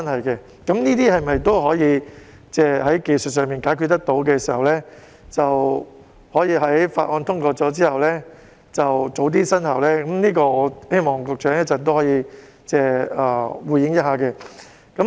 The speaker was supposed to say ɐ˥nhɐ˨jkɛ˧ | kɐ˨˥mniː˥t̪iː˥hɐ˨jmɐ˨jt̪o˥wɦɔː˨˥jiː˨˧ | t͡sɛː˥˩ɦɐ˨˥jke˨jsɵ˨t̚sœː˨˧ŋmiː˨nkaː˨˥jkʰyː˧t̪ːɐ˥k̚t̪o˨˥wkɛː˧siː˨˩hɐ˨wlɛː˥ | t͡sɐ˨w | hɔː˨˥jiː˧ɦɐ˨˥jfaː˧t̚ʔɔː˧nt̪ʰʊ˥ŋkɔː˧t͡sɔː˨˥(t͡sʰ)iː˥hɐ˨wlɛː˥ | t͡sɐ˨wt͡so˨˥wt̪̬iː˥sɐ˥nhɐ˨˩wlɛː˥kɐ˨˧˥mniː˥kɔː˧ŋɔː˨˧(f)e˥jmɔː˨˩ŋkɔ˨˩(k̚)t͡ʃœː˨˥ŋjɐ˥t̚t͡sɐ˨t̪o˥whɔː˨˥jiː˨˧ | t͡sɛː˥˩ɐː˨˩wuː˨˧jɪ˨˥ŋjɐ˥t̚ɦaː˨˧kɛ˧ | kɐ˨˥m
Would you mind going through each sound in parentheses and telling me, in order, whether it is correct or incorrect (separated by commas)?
incorrect, incorrect, correct